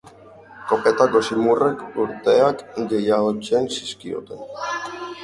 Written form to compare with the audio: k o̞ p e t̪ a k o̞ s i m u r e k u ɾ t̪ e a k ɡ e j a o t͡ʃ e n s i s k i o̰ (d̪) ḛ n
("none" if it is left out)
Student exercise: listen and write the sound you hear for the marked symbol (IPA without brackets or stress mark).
t̪